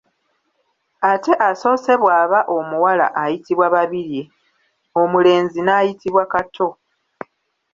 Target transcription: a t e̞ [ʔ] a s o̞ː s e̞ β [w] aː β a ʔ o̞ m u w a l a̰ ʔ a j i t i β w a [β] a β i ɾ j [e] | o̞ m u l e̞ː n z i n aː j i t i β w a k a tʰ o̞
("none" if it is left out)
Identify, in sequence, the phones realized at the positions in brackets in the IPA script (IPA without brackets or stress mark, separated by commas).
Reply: ʔ, w, β, e